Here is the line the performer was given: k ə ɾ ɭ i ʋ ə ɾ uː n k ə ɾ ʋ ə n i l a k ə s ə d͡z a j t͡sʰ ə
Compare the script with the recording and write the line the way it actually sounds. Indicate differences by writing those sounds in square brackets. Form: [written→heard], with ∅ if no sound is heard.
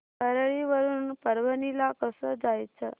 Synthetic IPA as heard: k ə ɾ ɭ i ʋ ə ɾ uː n [k→p] ə ɾ ʋ ə n i l a k ə s ə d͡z a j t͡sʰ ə